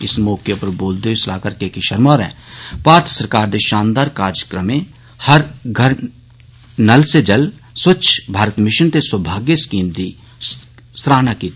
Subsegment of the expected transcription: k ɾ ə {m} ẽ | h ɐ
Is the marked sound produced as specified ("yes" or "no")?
yes